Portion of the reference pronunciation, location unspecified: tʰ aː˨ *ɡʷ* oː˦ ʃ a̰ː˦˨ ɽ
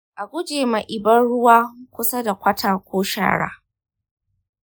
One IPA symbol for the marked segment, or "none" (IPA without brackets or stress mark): kʷ